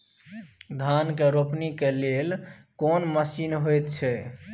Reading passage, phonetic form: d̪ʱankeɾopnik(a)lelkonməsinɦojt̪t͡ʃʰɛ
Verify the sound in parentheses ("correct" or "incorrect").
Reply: incorrect